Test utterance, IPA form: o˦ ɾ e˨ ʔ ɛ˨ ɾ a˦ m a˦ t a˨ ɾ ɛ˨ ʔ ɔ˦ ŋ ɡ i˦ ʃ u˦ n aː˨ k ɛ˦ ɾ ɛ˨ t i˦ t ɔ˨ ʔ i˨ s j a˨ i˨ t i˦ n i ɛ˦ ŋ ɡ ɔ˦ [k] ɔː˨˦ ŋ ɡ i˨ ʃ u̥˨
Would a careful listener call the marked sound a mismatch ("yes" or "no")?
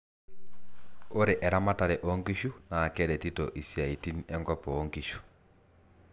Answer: yes